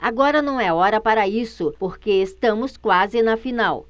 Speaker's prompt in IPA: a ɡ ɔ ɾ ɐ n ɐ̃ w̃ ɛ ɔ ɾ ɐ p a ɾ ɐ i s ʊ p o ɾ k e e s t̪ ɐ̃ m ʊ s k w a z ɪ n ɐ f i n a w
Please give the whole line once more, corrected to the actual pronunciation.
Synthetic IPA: a ɡ ɔ ɾ ɐ n ɐ̃ w̃ ɛ ɔ ɾ ɐ p a ɾ ɐ i s ʊ p o ɾ k e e s t̪ ɐ̃ m ʊ s k w a z ɪ n ɐ f i n a w